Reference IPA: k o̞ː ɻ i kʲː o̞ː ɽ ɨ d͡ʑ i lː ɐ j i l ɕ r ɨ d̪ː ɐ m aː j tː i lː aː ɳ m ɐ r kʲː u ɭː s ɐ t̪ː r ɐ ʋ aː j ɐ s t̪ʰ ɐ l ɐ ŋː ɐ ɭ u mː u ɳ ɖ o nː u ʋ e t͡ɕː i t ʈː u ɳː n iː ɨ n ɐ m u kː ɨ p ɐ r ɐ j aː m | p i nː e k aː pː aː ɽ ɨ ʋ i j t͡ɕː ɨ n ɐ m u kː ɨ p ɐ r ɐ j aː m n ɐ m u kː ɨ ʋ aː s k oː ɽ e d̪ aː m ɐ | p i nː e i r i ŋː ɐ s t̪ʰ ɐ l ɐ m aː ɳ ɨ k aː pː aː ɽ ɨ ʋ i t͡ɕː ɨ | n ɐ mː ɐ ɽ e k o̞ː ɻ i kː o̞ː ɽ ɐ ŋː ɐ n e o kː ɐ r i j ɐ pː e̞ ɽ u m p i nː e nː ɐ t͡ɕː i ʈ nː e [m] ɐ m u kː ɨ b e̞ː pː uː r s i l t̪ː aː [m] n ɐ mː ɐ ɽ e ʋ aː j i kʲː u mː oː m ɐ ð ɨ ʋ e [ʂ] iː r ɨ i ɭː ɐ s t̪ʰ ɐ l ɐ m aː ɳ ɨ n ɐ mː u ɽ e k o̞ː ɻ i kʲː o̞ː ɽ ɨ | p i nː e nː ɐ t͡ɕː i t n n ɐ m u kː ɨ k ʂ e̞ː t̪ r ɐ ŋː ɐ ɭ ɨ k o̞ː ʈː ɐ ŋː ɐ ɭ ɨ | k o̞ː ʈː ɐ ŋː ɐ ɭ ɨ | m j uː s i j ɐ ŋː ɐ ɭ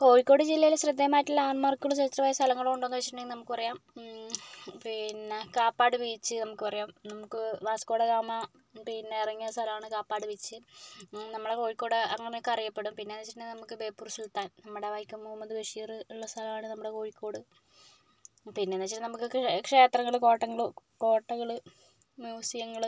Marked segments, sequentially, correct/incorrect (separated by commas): incorrect, incorrect, correct